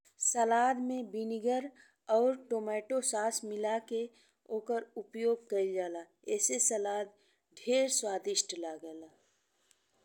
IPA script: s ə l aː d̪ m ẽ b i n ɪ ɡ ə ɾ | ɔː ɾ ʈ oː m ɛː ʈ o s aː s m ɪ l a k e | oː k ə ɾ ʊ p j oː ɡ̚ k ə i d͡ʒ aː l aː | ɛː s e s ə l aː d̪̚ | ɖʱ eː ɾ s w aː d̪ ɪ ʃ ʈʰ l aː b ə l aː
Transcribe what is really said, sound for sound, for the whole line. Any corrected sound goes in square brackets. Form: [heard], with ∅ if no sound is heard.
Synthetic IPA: s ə l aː d̪ m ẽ b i n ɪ ɡ ə ɾ | ɔː ɾ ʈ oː m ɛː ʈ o s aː s m ɪ l a k e | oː k ə ɾ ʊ p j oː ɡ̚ k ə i d͡ʒ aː l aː | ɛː s e s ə l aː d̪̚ | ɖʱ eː ɾ s w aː d̪ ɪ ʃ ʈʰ l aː [ɡ] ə l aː